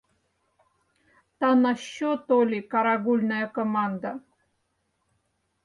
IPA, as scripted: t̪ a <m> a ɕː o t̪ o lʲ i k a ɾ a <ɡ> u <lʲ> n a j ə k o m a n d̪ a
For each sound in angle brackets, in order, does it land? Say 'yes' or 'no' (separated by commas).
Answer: no, yes, yes